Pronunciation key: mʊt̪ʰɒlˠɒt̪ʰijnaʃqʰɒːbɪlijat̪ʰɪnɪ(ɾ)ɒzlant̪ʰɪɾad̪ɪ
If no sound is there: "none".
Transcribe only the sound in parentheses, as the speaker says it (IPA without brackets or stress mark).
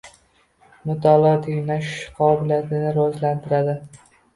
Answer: ɾ